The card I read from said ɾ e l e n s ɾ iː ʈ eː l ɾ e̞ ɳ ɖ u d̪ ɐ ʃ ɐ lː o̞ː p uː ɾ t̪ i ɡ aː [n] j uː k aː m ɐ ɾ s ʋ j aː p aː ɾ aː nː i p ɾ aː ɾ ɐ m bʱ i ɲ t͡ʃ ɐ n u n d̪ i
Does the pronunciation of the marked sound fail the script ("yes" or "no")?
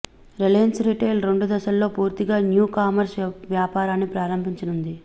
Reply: no